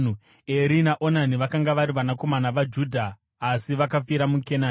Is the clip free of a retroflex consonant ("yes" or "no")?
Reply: yes